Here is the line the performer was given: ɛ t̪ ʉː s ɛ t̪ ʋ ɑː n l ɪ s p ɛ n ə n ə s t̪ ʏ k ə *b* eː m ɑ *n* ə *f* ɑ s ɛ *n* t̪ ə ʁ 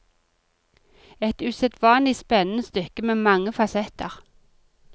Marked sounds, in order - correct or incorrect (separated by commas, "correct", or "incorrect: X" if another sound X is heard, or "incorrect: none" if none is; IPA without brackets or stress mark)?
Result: incorrect: m, incorrect: ŋ, correct, incorrect: none